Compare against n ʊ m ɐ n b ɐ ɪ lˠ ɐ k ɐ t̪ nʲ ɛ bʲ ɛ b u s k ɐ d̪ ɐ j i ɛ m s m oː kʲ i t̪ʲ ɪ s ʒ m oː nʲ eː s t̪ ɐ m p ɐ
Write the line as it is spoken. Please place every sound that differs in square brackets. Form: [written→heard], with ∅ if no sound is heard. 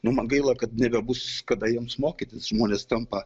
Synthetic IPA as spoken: n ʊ m ɐ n [b→ɡ] ɐ ɪ lˠ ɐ k ɐ t̪ nʲ ɛ bʲ ɛ b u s k ɐ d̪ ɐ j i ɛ m s m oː kʲ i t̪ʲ ɪ s ʒ m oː nʲ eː s t̪ ɐ m p ɐ